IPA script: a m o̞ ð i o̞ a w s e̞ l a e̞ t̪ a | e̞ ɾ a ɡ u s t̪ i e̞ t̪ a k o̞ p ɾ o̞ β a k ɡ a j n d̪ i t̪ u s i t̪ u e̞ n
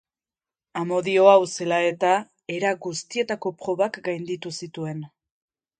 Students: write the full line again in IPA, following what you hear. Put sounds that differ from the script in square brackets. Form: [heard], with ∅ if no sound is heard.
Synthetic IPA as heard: a m o̞ ð i o̞ a w s e̞ l a e̞ t̪ a | e̞ ɾ a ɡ u s t̪ i e̞ t̪ a k o̞ p ɾ o̞ β a k ɡ a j n d̪ i t̪ u s i t̪ u e̞ n